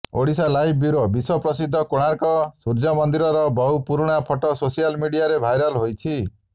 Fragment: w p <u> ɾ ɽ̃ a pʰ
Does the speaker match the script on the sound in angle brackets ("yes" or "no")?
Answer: yes